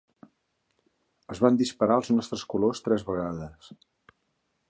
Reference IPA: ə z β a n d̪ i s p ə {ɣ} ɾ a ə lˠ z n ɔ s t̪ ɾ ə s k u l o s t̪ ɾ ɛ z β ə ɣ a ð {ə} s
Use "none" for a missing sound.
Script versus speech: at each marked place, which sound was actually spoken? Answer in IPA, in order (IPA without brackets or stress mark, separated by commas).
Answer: none, ə